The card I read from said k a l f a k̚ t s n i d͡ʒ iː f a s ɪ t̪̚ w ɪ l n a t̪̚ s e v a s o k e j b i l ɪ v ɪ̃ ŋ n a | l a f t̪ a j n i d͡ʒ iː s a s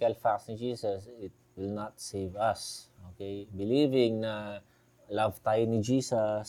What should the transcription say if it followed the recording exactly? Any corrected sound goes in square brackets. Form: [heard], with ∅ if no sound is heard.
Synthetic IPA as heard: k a l f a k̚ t s n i d͡ʒ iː [s] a s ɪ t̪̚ w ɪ l n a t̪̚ s e v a s o k e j b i l [i] v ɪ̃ ŋ n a | l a [v] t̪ a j n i d͡ʒ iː s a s